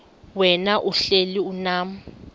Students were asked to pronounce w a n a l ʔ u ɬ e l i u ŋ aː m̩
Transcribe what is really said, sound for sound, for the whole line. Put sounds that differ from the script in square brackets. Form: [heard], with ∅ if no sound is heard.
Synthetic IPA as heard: w [ɛ] n a [∅] ʔ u ɬ e l i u [n] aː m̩